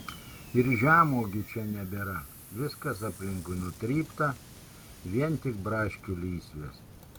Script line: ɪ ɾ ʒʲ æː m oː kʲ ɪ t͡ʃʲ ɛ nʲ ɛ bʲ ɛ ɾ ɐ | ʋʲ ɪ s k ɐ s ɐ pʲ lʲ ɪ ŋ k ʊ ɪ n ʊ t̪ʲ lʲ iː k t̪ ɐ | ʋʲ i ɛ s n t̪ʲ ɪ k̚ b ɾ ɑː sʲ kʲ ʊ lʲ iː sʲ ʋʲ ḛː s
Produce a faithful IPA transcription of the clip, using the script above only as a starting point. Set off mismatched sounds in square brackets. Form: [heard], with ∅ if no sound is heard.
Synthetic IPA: ɪ ɾ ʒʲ æː m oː [ɡʲ] ɪ t͡ʃʲ ɛ nʲ ɛ bʲ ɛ ɾ ɐ | ʋʲ ɪ s k ɐ s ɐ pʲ lʲ ɪ ŋ k ʊ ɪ n ʊ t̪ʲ [ɾʲ] iː [p] t̪ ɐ | ʋʲ i ɛ [∅] n t̪ʲ ɪ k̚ b ɾ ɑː [ʃʲ] kʲ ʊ lʲ iː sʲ ʋʲ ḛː s

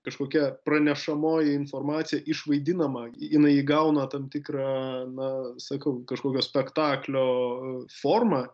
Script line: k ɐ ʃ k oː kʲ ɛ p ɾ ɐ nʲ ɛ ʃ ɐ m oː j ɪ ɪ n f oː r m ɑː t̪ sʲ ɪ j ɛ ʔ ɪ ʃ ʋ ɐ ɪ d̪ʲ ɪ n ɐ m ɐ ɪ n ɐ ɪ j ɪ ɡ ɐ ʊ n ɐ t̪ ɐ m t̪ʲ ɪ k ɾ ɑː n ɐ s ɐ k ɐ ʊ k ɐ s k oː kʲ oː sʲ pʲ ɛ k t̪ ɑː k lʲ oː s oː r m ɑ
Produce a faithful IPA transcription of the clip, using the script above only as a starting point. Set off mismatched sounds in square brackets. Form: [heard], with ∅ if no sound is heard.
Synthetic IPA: k ɐ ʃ k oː kʲ ɛ p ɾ ɐ nʲ ɛ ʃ ɐ m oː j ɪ ɪ n f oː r m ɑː t̪ sʲ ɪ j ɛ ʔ ɪ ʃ ʋ ɐ ɪ d̪ʲ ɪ n ɐ m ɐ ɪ n ɐ ɪ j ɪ ɡ ɐ ʊ n ɐ t̪ ɐ m t̪ʲ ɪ k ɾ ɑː n ɐ s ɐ k ɐ ʊ k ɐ [ʃ] k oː kʲ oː sʲ pʲ ɛ k t̪ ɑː k lʲ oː [f] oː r m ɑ

